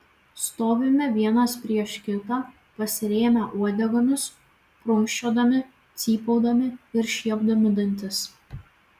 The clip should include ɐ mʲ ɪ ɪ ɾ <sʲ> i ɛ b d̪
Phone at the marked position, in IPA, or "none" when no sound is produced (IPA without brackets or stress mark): ʃʲ